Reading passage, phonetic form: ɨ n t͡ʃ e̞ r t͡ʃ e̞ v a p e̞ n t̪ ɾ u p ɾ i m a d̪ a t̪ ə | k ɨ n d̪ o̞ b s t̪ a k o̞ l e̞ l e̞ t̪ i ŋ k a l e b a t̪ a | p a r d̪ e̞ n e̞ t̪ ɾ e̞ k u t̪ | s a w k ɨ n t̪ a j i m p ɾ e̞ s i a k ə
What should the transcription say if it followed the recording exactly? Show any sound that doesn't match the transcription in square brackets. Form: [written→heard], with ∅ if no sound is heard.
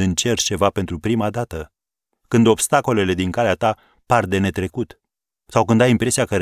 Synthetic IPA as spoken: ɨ n t͡ʃ e̞ r t͡ʃ e̞ v a p e̞ n t̪ ɾ u p ɾ i m a d̪ a t̪ ə | k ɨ n d̪ o̞ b s t̪ a k o̞ l e̞ l e̞ [t̪→d̪] i ŋ k a l e [b→∅] a t̪ a | p a r d̪ e̞ n e̞ t̪ ɾ e̞ k u t̪ | s a w k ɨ n [t̪→d̪] a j i m p ɾ e̞ s i a k ə